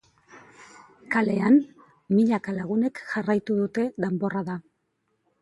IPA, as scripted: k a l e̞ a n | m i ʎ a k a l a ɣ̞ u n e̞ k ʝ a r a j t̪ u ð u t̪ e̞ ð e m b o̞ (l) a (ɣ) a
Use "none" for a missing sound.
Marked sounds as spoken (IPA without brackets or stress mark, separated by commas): r, ð